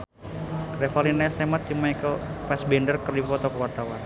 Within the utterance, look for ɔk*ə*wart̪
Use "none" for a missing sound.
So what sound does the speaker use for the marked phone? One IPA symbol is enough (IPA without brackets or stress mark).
ə